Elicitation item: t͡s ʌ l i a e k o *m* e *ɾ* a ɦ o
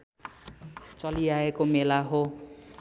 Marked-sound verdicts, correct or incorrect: correct, incorrect

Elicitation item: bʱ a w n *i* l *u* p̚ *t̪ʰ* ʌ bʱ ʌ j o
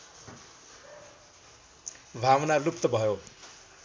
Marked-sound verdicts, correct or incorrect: incorrect, correct, incorrect

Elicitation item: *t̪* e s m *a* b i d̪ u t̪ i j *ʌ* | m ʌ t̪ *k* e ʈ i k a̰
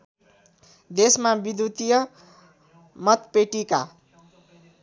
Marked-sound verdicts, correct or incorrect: incorrect, correct, correct, incorrect

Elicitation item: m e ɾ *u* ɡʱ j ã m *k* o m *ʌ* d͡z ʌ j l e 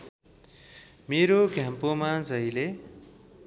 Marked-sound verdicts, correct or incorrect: incorrect, incorrect, incorrect

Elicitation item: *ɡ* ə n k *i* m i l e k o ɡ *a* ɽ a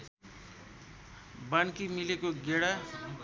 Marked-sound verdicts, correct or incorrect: incorrect, correct, incorrect

